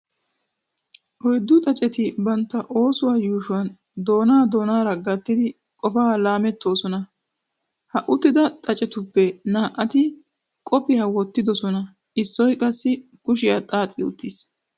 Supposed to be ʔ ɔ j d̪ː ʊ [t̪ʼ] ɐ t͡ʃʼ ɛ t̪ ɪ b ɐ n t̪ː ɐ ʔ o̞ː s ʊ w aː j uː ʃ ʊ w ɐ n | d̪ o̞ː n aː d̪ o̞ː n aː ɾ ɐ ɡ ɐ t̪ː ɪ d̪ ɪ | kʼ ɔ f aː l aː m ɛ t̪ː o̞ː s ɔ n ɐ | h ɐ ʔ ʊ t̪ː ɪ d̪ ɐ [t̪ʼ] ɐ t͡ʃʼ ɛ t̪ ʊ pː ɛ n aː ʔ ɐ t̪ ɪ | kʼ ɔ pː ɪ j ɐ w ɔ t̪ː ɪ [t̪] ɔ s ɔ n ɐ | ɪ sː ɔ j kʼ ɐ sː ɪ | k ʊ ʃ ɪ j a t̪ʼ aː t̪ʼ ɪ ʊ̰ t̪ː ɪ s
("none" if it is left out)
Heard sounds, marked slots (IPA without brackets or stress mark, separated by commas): t̪ʼ, t̪ʼ, d̪